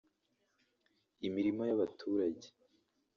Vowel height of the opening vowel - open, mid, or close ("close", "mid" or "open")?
close